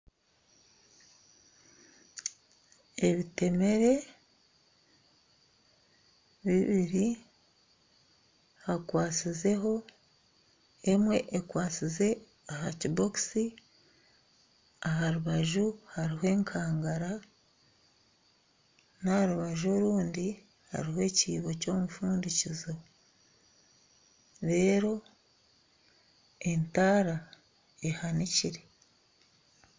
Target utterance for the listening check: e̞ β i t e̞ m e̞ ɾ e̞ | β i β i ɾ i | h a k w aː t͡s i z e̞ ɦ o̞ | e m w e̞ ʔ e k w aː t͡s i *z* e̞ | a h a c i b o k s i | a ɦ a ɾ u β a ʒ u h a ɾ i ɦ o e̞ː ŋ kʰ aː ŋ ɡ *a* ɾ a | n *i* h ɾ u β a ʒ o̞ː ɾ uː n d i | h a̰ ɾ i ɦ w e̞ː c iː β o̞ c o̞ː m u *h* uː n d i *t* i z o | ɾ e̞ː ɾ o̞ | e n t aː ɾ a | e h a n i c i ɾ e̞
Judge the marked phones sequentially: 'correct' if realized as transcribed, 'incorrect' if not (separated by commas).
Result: correct, correct, incorrect, incorrect, incorrect